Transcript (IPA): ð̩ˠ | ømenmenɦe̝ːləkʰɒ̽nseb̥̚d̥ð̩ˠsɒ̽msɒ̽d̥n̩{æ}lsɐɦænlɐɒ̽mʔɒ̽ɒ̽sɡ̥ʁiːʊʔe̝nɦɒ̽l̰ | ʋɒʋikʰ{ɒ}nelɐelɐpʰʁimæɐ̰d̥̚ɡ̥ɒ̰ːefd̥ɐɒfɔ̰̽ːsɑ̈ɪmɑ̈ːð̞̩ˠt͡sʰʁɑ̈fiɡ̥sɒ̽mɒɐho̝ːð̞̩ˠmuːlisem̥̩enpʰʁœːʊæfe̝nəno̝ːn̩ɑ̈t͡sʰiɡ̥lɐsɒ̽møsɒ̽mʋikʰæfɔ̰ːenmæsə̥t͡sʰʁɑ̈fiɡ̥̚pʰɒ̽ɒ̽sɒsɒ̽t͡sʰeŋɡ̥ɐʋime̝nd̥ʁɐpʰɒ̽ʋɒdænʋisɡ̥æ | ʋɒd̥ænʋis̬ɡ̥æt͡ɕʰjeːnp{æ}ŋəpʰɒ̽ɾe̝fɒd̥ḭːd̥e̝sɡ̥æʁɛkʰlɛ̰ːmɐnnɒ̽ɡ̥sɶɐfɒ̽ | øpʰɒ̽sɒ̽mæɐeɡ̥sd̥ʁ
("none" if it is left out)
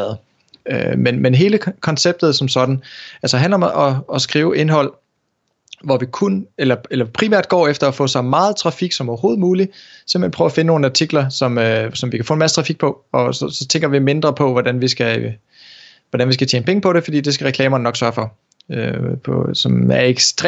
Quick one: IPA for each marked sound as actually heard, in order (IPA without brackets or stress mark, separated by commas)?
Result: æ, u, e